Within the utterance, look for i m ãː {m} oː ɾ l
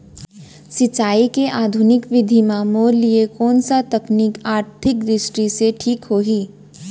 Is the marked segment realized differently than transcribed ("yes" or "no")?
no